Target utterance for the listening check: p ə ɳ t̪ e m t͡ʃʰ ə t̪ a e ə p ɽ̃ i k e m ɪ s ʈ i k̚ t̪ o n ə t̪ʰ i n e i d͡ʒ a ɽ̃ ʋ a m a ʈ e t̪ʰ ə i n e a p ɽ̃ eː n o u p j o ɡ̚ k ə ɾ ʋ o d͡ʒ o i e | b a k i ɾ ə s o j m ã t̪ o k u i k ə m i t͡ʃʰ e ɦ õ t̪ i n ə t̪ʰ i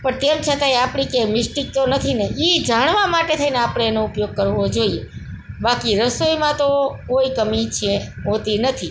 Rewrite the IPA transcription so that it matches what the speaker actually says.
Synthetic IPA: p ə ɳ t̪ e m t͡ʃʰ ə t̪ a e a p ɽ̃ i k e m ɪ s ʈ i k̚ t̪ o n ə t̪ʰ i n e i d͡ʒ a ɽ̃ ʋ a m a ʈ e t̪ʰ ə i n e a p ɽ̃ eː n o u p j o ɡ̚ k ə ɾ ʋ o d͡ʒ o i e | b a k i ɾ ə s o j m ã t̪ o k o i k ə m i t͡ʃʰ e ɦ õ t̪ i n ə t̪ʰ i